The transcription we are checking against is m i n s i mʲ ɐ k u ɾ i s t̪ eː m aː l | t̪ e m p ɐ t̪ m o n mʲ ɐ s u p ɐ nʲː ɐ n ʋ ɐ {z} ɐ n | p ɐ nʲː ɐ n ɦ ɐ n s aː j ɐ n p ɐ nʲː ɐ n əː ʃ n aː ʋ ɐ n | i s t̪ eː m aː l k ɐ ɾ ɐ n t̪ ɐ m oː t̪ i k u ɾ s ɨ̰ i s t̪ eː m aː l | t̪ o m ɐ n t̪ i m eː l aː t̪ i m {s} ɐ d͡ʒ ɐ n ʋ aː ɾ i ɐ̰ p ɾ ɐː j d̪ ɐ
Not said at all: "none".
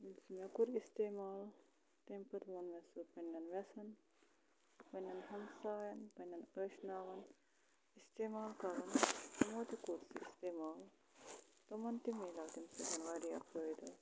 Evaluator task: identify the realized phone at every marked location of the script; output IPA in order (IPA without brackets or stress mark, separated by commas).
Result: s, s